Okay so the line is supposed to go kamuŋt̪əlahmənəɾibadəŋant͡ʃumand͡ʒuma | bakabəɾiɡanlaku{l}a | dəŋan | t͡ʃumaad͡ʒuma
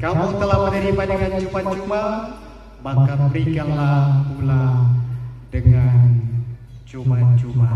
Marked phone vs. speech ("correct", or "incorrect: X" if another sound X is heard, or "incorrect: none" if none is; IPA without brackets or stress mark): correct